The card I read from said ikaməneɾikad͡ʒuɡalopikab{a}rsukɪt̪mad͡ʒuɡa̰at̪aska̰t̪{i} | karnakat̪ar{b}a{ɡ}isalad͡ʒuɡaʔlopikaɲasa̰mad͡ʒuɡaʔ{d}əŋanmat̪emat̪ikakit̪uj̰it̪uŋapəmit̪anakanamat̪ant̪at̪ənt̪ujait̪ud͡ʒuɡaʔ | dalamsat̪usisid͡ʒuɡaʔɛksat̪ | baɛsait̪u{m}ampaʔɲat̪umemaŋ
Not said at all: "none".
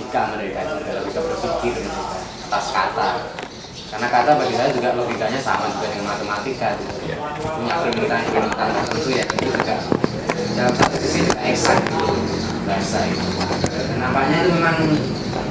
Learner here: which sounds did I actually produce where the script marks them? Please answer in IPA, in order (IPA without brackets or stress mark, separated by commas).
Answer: ə, a, b, ɡ, d, n